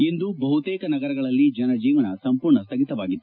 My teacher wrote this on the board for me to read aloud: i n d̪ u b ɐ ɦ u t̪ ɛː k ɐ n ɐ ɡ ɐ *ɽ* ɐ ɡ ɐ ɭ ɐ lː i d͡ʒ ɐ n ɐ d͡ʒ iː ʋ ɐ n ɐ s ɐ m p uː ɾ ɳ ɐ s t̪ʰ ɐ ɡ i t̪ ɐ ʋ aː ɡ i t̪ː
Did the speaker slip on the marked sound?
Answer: yes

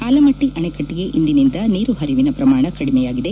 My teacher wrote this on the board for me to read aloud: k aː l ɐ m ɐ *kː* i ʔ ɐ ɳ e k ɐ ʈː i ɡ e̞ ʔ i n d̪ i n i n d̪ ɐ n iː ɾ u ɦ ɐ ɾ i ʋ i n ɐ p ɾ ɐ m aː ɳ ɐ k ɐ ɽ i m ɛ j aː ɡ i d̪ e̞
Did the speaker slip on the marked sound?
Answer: yes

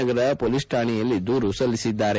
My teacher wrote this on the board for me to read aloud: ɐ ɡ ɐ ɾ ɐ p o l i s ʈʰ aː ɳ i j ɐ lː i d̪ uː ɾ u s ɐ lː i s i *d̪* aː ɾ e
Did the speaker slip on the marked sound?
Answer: yes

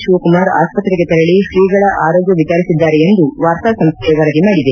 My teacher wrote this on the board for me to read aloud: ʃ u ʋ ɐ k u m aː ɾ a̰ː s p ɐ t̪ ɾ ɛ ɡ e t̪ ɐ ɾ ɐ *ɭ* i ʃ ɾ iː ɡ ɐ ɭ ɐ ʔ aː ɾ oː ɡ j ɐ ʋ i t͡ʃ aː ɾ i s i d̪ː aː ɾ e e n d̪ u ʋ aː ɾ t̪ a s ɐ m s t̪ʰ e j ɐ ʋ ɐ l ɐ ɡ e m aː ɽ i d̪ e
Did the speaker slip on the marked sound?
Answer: no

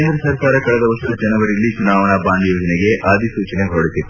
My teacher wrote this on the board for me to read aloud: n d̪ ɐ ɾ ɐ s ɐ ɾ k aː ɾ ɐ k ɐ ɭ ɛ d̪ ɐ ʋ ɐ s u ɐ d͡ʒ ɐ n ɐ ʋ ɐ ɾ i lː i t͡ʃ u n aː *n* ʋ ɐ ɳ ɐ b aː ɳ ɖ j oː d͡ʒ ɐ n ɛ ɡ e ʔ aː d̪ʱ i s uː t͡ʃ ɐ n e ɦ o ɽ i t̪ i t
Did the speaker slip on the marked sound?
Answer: yes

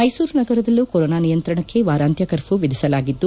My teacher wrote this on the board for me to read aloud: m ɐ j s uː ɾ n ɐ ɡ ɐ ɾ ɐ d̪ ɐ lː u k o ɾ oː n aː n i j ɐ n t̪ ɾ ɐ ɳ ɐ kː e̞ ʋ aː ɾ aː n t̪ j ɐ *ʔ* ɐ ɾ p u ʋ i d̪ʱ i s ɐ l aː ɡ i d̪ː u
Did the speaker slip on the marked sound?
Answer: yes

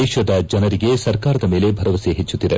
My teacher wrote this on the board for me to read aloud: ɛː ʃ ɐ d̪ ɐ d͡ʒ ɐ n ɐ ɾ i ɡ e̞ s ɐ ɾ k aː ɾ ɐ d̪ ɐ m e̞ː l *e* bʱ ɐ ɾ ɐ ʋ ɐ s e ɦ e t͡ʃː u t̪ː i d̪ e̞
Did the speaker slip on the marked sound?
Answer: no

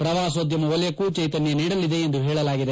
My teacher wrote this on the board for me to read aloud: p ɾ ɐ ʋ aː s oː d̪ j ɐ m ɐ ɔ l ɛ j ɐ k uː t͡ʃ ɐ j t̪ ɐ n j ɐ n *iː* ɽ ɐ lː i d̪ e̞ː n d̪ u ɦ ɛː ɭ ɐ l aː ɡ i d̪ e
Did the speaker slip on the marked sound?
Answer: no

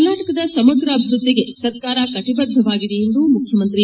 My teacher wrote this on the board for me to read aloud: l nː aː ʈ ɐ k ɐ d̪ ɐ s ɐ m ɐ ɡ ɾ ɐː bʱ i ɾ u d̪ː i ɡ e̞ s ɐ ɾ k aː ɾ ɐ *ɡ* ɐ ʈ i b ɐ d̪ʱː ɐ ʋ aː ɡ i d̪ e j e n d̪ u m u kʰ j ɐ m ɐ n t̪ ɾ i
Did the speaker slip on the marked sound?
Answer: yes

